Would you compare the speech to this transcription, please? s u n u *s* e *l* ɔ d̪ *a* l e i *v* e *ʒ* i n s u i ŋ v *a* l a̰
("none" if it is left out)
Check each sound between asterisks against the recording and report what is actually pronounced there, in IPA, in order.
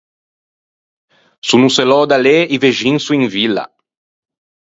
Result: s, l, a, v, ʒ, i

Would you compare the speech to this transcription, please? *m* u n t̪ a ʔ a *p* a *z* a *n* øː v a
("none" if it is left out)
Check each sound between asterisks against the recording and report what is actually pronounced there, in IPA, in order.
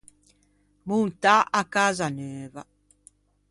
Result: m, k, z, n

